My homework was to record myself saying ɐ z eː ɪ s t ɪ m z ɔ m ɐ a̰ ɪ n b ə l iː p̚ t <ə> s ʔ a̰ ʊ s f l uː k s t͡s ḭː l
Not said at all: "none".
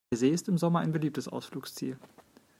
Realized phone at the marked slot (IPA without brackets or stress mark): ə